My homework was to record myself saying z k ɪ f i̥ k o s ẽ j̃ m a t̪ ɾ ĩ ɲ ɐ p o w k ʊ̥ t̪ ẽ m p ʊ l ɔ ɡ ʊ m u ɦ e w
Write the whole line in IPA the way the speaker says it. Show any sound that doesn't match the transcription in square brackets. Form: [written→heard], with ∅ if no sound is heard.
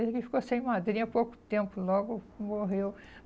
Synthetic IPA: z k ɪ f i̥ k o s ẽ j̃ m a [t̪→d̪] ɾ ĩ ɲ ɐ p o w k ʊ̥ t̪ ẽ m p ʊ l ɔ ɡ ʊ m [u→o] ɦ e w